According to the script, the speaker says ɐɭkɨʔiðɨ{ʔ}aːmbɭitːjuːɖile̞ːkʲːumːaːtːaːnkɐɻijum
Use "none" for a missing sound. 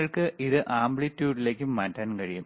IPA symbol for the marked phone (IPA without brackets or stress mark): ʔ